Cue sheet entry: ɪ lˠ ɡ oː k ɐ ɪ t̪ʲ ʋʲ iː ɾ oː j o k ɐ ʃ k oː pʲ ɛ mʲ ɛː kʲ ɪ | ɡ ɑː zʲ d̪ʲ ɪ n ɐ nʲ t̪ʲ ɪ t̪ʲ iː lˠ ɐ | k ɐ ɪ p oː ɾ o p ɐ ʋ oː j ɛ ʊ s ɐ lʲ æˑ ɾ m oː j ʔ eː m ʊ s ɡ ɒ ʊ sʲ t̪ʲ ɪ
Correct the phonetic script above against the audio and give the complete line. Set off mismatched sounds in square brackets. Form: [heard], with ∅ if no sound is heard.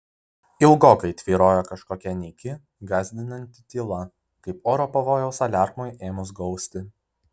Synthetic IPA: ɪ lˠ ɡ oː k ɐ ɪ t̪ʲ ʋʲ iː ɾ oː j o k ɐ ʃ k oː [kʲ] ɛ [nʲ] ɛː kʲ ɪ | ɡ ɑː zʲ d̪ʲ ɪ n ɐ nʲ t̪ʲ ɪ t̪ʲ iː lˠ ɐ | k ɐ ɪ p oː ɾ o p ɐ ʋ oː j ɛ ʊ s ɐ lʲ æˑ ɾ m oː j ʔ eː m ʊ s ɡ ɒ ʊ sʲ t̪ʲ ɪ